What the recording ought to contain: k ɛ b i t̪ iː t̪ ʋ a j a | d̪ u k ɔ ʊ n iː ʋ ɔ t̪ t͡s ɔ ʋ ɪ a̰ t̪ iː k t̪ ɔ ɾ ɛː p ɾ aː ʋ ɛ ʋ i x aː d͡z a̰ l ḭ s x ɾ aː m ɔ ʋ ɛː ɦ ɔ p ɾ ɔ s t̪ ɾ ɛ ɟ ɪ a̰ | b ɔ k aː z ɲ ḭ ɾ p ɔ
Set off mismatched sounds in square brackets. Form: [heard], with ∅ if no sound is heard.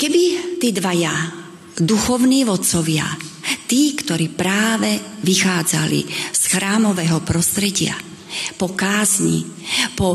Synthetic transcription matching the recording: k ɛ b i t̪ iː [d̪] ʋ a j a | d̪ u [x] ɔ ʊ n iː ʋ ɔ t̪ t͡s ɔ ʋ ɪ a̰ t̪ iː k t̪ ɔ ɾ [iː] p ɾ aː ʋ ɛ ʋ i x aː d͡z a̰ l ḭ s x ɾ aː m ɔ ʋ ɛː ɦ ɔ p ɾ ɔ s t̪ ɾ ɛ ɟ ɪ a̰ | [p] ɔ k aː z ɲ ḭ [∅] p ɔ